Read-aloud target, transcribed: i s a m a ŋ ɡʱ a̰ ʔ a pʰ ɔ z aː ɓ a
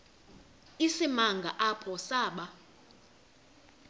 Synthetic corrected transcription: i s i m a ŋ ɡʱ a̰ ʔ a pʰ ɔ s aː ɓ a